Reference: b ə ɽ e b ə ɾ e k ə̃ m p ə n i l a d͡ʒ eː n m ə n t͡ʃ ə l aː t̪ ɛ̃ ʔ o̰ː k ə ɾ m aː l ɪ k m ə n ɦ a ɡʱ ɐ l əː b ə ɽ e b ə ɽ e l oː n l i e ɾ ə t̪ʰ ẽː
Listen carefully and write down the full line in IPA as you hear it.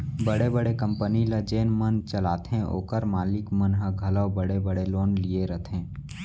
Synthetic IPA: b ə ɽ e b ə ɽ e k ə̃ m p ə n i l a d͡ʒ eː n m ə n t͡ʃ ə l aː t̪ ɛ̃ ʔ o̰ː k ə ɾ m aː l ɪ k m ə n ɦ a ɡʱ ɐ l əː b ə ɽ e b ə ɽ e l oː n l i e ɾ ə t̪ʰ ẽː